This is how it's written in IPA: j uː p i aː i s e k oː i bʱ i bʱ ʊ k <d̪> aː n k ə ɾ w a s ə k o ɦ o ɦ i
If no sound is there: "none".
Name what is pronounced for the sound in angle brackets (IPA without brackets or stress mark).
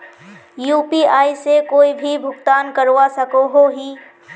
t̪